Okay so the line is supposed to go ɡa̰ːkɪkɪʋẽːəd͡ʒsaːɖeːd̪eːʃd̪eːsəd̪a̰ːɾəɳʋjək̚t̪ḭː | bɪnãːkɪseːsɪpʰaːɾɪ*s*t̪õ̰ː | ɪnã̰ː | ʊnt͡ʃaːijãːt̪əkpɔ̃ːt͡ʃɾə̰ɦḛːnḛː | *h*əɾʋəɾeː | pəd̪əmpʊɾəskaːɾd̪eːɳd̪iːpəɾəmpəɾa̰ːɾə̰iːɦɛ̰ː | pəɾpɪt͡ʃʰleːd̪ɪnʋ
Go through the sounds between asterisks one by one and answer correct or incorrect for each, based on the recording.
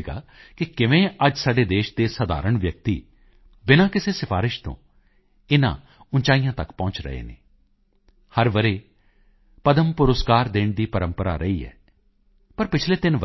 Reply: incorrect, correct

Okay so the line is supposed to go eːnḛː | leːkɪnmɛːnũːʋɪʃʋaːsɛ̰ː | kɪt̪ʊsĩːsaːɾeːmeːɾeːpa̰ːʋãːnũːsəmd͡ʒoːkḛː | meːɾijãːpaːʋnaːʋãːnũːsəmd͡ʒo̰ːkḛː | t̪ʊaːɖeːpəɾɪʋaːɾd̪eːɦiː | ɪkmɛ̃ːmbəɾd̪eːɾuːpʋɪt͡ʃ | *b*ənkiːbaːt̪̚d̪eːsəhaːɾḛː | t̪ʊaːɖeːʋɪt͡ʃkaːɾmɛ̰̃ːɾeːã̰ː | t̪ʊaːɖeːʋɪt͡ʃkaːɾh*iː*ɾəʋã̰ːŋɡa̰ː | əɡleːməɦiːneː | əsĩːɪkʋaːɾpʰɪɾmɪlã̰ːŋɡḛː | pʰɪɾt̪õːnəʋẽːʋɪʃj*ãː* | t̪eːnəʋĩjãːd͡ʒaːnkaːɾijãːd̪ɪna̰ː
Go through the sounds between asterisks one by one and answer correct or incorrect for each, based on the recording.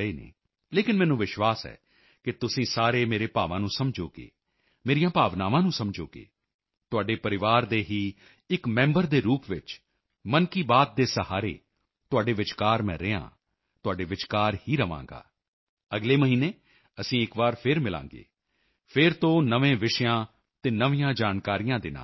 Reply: incorrect, correct, correct

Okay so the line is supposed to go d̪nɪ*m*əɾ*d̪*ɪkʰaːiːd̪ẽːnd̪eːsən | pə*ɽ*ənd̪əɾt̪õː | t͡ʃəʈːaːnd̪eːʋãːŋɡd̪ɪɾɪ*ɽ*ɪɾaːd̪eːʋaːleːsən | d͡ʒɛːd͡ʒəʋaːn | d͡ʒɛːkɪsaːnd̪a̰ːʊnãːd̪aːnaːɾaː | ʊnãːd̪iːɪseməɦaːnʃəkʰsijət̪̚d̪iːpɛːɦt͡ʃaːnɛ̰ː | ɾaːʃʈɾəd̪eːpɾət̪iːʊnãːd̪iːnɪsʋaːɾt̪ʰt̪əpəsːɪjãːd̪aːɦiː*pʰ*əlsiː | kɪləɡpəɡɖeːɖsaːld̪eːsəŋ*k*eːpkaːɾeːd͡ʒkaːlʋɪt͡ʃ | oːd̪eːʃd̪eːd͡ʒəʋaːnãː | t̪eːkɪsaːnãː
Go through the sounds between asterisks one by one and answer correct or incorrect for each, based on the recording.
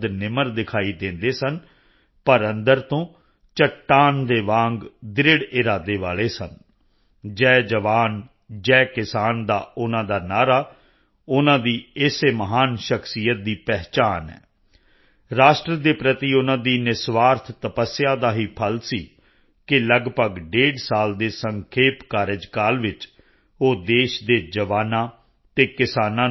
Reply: correct, correct, incorrect, correct, correct, incorrect

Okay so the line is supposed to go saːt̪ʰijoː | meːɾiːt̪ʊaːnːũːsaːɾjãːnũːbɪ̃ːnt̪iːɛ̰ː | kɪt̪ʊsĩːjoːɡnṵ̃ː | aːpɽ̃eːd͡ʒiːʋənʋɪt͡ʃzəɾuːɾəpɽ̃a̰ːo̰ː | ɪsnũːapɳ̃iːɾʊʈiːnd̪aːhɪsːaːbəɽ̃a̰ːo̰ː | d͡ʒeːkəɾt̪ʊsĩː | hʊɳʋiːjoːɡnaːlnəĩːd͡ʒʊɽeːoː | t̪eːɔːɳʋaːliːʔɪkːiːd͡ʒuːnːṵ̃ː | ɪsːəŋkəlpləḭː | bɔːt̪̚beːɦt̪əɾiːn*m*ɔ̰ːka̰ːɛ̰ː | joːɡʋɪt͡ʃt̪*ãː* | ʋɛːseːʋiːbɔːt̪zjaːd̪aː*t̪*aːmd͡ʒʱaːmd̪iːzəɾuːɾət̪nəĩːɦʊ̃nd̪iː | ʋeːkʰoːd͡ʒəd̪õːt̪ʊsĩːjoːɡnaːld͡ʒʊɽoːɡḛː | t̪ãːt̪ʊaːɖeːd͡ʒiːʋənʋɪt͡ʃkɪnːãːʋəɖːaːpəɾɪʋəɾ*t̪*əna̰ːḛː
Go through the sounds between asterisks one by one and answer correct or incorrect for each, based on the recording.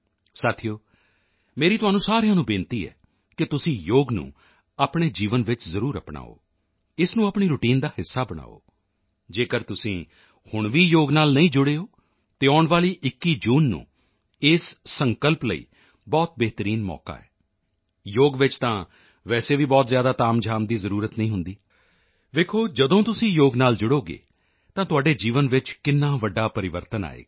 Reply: correct, correct, correct, correct

